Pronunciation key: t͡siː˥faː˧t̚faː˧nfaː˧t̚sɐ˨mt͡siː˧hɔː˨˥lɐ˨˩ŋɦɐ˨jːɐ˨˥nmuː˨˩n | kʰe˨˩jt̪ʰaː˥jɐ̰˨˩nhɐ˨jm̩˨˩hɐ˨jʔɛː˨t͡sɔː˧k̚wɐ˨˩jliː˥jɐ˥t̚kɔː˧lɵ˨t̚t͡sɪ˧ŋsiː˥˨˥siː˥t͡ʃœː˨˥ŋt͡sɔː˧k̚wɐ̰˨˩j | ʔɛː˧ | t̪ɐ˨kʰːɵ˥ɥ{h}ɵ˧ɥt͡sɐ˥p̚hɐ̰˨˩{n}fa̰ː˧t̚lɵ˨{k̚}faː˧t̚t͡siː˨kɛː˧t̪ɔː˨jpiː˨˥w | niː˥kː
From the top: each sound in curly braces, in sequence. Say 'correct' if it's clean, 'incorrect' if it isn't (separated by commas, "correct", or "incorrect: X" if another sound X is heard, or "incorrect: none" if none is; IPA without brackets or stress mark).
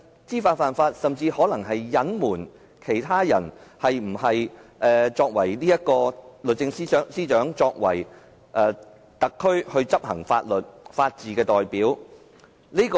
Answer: correct, incorrect: ŋ, incorrect: t̚